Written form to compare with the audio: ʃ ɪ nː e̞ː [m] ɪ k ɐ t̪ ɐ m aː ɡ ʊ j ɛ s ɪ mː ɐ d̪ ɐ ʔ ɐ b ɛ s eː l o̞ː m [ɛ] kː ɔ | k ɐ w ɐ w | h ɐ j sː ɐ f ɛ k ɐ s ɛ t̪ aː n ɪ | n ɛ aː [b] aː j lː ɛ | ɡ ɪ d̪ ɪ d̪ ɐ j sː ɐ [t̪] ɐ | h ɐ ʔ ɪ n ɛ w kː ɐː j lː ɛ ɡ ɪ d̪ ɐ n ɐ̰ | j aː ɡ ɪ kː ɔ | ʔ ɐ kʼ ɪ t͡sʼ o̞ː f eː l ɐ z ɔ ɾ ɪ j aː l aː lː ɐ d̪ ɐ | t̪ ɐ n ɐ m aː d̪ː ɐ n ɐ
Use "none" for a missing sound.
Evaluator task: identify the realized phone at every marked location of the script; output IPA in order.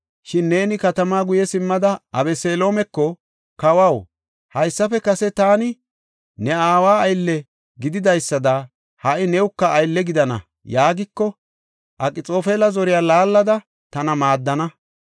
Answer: n, ɛ, w, d̪

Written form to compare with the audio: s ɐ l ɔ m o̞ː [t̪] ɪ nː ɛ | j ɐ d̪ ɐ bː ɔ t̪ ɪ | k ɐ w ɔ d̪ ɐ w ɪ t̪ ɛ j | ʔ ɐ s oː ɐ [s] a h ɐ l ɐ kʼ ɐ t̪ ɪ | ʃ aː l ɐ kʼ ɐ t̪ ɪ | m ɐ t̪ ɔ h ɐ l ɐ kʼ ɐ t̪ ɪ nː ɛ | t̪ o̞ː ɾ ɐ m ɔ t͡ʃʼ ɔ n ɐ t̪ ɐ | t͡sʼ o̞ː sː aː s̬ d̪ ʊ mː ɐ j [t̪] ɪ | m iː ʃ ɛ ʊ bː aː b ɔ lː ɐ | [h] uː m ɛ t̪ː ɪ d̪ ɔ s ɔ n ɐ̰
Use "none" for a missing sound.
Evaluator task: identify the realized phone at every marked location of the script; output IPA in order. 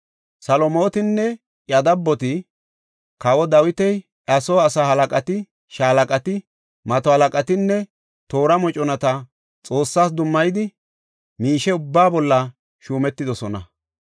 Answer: t̪, s, d̪, ʃ

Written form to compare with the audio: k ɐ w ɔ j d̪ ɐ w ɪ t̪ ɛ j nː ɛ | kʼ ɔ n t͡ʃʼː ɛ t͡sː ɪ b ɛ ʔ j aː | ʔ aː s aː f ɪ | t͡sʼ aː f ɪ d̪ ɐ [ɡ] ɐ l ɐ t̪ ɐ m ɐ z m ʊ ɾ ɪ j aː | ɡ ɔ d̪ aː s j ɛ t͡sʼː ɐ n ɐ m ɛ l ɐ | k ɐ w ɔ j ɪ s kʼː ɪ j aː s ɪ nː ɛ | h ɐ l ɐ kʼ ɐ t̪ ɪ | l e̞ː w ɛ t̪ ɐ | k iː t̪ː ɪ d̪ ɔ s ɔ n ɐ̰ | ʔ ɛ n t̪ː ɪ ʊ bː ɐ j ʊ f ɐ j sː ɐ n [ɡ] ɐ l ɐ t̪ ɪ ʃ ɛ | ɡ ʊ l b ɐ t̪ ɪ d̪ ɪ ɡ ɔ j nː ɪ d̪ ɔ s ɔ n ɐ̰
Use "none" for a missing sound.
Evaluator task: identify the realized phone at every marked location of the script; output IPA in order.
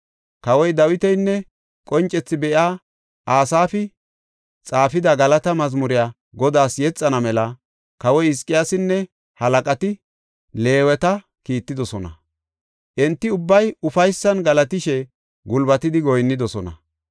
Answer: ɡ, ɡ

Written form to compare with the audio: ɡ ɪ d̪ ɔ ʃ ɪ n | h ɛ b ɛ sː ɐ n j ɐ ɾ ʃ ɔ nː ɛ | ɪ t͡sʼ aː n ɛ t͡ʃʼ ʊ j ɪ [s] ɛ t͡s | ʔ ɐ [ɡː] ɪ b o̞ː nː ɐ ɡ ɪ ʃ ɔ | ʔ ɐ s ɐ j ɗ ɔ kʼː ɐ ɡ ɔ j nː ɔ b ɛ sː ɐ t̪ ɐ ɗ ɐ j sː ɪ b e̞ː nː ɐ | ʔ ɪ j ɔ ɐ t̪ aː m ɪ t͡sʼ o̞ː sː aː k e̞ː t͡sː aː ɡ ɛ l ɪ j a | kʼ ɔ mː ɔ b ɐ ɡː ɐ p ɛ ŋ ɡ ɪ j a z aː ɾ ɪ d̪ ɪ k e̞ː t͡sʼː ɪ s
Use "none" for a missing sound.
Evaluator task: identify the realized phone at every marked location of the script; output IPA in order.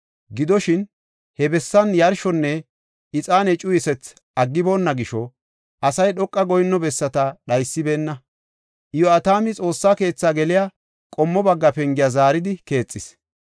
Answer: s, ɡː

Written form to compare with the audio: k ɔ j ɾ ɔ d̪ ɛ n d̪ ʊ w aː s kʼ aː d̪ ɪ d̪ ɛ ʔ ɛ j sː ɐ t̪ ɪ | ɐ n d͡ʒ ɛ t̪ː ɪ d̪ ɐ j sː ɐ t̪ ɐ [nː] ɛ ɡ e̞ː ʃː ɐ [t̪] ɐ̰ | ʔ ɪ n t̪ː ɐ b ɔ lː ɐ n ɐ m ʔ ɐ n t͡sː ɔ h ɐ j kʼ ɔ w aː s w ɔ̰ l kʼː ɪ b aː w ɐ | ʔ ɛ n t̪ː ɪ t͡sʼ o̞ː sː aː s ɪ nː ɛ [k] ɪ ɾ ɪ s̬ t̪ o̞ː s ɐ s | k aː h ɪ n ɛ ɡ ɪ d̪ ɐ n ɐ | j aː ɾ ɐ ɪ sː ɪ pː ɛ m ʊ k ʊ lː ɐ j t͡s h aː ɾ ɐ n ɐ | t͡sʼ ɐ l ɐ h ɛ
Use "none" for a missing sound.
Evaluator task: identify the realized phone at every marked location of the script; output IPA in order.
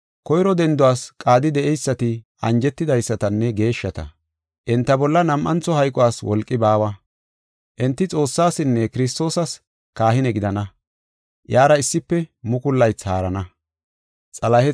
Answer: nː, t̪, k

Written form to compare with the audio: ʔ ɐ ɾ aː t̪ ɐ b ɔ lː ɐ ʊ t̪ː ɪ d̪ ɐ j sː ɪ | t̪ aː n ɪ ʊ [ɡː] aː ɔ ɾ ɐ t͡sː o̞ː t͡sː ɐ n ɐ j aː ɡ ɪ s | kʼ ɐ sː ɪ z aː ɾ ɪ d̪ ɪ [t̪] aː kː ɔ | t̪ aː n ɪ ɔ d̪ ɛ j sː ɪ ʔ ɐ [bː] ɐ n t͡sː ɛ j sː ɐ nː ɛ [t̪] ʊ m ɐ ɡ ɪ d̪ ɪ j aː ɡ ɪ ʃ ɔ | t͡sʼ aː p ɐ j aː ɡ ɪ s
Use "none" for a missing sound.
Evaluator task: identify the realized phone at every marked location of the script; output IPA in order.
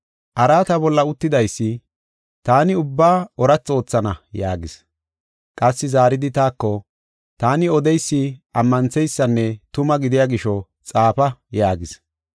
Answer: bː, t̪, mː, t̪

